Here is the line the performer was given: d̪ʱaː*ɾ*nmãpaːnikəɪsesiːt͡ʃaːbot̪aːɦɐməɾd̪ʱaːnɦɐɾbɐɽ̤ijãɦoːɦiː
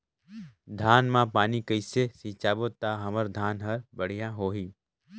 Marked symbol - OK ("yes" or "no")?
no